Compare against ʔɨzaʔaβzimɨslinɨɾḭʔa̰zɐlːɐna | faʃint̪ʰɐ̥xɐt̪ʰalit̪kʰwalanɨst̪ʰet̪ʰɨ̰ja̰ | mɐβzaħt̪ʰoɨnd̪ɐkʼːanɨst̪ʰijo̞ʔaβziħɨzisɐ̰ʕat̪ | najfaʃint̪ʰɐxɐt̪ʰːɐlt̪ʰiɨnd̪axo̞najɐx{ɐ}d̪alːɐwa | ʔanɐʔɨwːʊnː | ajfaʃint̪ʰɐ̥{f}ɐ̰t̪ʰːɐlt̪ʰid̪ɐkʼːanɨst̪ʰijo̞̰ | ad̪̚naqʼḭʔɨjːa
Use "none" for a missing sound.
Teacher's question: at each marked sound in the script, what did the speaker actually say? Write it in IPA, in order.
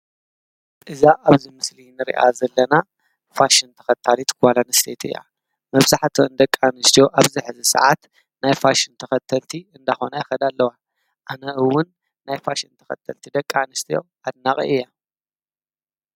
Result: ɐ, x

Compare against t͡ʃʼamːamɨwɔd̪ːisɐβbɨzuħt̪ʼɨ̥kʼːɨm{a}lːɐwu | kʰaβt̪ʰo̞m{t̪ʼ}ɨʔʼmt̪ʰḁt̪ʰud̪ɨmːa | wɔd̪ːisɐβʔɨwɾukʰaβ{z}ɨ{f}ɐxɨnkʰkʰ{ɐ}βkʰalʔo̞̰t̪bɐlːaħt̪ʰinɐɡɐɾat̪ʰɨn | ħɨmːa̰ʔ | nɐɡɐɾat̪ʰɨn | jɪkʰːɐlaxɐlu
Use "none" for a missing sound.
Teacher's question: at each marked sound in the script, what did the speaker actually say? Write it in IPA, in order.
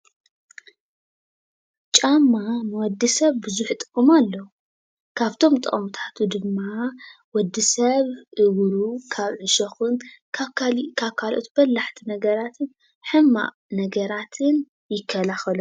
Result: a, t̪ʼ, ʕ, ʃ, a

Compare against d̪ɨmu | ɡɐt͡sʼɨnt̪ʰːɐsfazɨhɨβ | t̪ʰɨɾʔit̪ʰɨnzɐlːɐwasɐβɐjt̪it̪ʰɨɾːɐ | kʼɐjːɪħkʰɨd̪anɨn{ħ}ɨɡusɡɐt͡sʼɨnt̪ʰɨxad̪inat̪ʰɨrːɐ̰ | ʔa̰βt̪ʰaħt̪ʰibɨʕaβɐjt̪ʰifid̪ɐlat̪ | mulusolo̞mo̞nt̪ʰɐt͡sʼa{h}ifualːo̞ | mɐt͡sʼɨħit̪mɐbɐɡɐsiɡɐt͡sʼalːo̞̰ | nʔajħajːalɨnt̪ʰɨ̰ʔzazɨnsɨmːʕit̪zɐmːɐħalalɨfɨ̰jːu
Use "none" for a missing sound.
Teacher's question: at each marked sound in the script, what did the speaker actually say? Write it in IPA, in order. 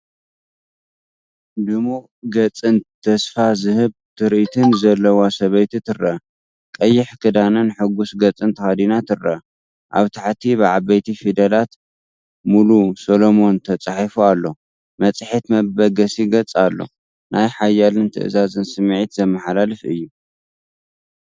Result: ħ, ħ

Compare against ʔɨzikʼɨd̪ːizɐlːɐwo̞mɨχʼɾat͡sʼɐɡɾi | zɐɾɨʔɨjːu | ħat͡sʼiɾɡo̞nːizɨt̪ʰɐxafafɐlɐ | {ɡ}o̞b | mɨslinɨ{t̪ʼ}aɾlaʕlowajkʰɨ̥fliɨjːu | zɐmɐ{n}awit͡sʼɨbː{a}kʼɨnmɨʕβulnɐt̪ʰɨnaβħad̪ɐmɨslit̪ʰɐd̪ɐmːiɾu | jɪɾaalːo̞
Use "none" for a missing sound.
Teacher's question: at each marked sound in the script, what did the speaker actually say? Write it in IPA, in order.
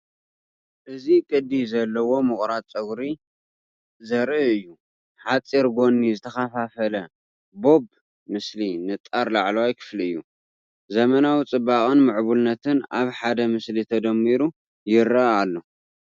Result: b, t̪ʼ, n, a

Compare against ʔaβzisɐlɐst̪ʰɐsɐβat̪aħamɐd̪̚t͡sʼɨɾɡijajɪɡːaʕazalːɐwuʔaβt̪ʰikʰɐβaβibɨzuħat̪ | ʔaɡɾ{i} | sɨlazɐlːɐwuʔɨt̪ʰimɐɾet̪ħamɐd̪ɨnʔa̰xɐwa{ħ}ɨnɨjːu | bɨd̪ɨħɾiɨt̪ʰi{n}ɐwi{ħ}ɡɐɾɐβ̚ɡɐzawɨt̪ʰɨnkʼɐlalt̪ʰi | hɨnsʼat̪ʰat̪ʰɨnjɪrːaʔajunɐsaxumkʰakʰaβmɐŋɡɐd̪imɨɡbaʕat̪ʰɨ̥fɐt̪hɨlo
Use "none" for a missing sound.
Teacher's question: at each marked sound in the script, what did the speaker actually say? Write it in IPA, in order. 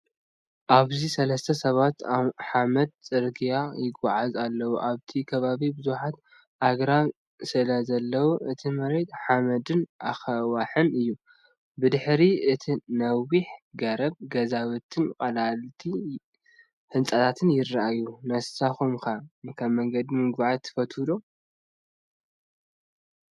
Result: a, ħ, n, ħ

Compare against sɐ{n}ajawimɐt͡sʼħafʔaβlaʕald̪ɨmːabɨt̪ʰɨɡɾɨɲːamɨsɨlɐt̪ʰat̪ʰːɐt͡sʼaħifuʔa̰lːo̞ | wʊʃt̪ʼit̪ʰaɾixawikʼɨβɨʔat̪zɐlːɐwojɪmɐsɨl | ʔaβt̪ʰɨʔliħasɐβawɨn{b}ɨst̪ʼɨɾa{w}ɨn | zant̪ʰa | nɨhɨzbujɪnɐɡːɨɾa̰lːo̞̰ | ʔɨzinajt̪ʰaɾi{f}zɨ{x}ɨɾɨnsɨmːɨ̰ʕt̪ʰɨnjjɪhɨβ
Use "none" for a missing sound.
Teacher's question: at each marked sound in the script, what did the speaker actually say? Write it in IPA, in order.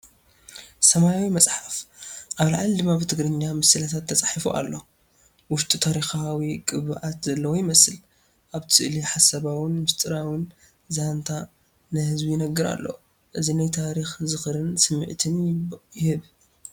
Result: m, m, w, x, x

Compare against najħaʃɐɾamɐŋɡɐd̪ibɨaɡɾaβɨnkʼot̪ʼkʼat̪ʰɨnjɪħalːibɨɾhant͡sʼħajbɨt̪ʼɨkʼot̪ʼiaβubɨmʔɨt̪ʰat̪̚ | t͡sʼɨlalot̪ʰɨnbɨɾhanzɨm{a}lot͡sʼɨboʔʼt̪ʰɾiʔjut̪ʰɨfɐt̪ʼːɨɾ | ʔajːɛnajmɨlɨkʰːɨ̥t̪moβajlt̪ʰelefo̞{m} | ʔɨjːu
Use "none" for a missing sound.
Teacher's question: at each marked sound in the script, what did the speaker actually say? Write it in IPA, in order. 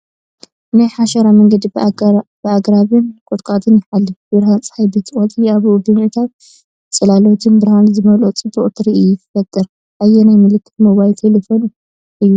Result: ɐ, n

